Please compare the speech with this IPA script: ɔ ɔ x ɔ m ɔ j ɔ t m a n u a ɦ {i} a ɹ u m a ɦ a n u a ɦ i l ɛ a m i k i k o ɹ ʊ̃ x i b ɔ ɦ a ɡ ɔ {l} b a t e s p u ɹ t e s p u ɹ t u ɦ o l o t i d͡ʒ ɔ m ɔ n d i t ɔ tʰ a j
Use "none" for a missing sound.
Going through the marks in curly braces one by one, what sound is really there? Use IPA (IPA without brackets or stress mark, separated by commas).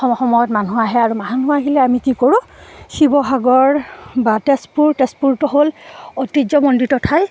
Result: ɛ, ɹ